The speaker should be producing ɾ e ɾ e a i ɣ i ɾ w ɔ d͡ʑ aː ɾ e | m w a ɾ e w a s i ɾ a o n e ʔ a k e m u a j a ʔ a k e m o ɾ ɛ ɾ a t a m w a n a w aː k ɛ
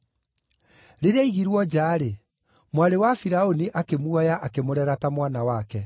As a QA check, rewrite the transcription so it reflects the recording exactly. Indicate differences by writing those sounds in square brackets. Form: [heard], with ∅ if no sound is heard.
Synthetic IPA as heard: ɾ e ɾ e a i ɣ i ɾ w ɔ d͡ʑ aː ɾ e | m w a ɾ e w a [f] i ɾ a o n [i] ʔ a k e m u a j a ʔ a k e m o ɾ ɛ ɾ a t a m w a n a w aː k ɛ